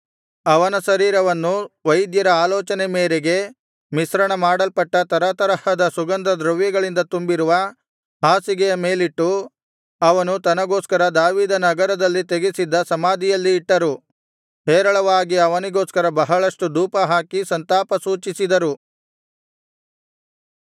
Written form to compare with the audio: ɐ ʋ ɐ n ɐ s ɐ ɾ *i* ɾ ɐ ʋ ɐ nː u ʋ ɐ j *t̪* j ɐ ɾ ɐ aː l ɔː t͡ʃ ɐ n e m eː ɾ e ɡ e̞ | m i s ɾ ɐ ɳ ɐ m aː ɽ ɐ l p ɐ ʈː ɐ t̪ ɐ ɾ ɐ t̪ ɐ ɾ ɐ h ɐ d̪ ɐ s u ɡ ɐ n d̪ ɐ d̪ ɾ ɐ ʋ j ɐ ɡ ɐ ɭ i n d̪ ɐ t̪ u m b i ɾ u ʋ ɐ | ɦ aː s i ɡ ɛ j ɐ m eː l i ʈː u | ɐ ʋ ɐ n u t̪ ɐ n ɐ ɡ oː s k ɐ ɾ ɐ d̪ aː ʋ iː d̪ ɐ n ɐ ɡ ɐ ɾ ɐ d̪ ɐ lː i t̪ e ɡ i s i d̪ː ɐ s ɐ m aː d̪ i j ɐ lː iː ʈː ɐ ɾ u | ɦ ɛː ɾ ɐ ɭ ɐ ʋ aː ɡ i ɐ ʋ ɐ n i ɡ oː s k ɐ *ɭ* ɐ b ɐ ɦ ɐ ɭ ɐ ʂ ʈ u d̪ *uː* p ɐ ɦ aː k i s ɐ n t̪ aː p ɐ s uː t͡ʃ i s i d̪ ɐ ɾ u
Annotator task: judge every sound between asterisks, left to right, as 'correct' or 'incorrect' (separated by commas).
incorrect, incorrect, incorrect, correct